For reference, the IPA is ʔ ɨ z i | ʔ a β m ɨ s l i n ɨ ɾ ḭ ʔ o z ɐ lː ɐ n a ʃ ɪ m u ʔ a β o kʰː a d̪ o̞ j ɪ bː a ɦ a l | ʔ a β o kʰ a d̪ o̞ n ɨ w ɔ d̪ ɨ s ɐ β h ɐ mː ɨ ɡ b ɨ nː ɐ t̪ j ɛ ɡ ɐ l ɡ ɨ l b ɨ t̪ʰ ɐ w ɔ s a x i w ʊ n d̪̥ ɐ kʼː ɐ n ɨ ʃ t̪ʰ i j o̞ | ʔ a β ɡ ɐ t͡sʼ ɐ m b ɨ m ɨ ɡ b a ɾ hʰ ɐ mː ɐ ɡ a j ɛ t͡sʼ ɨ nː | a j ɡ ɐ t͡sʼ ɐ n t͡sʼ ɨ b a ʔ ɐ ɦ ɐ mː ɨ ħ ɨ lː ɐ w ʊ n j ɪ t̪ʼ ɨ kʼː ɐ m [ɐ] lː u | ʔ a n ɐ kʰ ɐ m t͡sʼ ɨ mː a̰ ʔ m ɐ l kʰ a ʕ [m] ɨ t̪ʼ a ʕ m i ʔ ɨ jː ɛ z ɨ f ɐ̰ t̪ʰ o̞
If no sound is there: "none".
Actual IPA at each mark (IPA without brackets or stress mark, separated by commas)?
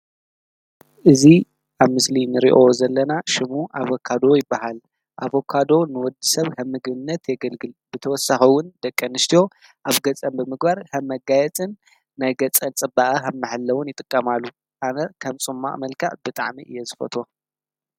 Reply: a, b